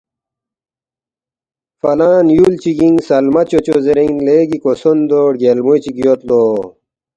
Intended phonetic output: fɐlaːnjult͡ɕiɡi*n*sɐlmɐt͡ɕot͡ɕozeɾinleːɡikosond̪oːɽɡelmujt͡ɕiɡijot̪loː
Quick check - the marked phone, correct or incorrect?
incorrect: ŋ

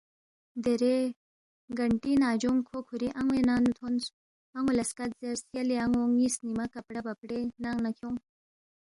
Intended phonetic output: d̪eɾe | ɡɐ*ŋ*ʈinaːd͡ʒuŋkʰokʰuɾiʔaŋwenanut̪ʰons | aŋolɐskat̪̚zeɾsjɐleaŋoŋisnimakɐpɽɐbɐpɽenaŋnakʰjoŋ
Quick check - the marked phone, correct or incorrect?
incorrect: ɳ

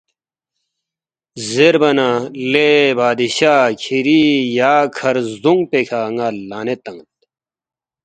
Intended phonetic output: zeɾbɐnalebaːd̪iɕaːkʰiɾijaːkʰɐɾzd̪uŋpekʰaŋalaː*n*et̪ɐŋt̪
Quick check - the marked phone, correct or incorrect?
correct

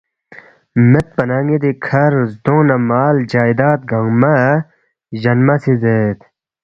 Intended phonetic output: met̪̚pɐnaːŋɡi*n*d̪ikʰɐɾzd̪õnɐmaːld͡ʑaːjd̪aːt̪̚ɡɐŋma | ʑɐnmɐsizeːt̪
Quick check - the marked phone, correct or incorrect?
incorrect: none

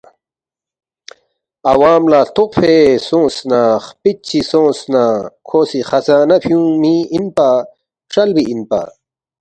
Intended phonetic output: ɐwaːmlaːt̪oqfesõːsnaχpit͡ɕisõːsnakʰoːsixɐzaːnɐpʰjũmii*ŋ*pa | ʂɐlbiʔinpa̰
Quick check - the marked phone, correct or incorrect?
incorrect: n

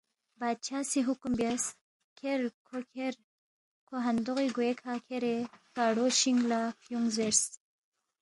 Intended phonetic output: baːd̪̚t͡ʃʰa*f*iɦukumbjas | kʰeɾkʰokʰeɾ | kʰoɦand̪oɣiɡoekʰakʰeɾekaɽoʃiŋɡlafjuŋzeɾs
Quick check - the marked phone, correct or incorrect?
incorrect: s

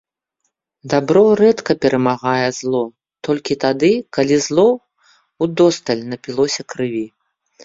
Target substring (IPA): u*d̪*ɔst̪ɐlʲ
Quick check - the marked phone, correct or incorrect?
correct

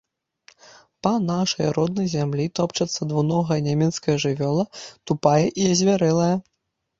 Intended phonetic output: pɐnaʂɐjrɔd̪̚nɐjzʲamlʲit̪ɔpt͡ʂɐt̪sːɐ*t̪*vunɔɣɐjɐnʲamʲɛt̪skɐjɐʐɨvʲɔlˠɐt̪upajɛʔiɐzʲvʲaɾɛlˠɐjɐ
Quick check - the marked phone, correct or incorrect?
incorrect: d̪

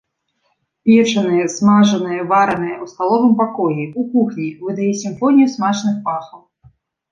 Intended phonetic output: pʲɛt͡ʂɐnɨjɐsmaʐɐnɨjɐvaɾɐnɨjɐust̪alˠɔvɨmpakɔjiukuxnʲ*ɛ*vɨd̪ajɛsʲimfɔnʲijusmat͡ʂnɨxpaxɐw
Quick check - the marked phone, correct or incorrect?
incorrect: i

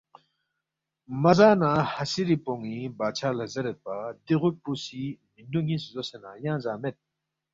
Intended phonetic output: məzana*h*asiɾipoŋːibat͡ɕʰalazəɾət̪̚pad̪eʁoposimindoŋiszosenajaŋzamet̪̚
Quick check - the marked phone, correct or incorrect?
correct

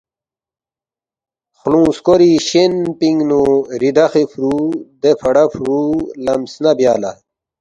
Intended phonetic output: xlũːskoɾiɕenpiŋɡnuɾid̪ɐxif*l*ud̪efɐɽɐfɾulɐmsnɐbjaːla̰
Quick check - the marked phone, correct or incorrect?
incorrect: ɾ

